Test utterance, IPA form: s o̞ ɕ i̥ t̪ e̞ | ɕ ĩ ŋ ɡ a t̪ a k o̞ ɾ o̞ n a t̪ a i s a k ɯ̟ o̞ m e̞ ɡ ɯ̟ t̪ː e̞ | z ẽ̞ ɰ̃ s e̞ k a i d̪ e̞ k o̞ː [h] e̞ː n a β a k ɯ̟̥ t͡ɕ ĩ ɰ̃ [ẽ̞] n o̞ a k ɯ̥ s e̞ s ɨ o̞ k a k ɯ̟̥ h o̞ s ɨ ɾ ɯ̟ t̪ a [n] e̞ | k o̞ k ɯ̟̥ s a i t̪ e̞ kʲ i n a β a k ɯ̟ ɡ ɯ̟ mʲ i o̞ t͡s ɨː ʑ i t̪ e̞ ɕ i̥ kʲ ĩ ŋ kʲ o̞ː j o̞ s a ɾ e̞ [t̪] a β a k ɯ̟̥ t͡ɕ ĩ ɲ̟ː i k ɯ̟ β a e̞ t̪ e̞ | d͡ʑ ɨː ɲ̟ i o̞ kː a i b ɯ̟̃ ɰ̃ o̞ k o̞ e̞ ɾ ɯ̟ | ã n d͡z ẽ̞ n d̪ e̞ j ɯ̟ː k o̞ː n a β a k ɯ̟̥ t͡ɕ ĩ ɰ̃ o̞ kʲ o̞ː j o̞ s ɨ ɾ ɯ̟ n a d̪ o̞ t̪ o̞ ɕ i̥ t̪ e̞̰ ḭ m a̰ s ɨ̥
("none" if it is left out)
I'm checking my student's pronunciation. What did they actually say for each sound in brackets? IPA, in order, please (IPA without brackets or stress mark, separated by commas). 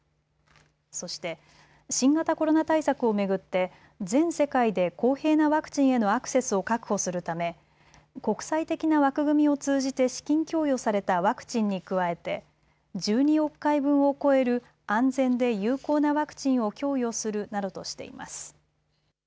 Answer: h, e̞, m, t̪